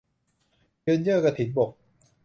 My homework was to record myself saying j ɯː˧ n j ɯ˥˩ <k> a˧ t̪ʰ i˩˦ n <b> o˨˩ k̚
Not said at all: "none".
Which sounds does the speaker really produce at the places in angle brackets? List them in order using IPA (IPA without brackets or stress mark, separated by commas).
k, b